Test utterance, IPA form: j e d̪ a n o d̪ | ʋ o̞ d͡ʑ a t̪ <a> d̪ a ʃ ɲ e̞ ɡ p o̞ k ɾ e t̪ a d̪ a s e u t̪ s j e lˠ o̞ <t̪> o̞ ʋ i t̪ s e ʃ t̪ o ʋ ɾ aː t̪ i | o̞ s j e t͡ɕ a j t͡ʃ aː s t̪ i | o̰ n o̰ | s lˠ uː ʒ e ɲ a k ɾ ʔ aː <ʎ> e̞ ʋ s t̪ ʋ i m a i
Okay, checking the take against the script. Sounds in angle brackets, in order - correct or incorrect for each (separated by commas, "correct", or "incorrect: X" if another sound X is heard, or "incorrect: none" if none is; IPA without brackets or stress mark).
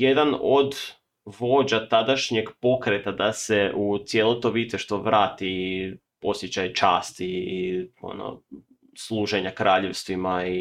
correct, correct, correct